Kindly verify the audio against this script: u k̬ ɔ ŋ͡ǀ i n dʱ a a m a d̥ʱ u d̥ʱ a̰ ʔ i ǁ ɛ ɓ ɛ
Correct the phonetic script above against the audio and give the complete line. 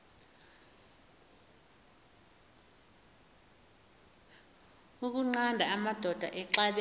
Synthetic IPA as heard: u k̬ u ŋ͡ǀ a n dʱ a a m a d̥ʱ ɔ d̥ʱ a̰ ʔ ɛ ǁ a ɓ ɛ

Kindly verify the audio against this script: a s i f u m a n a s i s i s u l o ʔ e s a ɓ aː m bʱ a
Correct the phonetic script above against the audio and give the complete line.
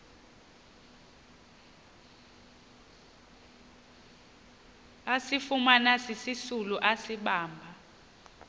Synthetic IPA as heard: a s i f u m a n a s i s i s u l u ʔ a s i ɓ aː m bʱ a

